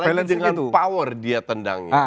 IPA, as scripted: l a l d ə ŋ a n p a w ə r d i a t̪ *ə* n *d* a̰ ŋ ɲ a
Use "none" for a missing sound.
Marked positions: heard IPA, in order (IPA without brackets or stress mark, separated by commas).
ə, d